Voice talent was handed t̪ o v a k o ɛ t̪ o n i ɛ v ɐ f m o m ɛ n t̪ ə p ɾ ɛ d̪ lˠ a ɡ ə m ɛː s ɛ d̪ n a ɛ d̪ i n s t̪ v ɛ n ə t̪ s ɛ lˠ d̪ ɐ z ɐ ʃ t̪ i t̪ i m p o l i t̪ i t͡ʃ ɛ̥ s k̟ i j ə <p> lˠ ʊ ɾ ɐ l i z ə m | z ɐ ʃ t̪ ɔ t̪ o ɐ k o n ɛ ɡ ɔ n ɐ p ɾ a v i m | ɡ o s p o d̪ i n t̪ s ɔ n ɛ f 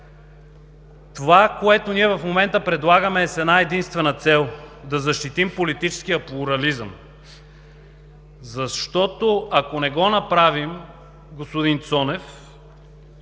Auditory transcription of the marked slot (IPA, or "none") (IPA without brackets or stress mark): p